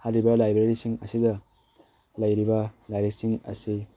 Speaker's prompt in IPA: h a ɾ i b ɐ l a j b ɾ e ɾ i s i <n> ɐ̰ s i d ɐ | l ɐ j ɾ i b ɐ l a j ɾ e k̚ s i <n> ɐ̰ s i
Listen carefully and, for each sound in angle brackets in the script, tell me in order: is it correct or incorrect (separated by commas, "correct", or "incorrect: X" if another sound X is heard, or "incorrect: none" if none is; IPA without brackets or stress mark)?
incorrect: ŋ, incorrect: ŋ